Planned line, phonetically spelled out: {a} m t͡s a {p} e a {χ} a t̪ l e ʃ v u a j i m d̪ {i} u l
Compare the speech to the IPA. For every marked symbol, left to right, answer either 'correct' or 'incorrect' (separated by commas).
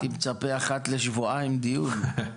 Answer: incorrect, correct, correct, correct